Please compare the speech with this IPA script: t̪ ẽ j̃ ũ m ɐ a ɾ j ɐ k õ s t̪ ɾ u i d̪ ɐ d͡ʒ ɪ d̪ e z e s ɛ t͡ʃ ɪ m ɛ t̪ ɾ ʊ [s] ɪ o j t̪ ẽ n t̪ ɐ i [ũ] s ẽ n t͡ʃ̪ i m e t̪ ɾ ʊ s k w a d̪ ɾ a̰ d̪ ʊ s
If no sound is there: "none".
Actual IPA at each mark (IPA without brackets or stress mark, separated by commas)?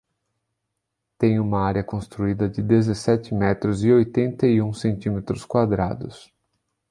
z, ũ